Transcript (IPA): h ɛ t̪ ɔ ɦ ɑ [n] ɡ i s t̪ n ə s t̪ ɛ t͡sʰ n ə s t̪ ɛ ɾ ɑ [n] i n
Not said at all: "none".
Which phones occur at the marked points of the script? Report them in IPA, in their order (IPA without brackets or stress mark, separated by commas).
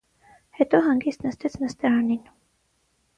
ŋ, n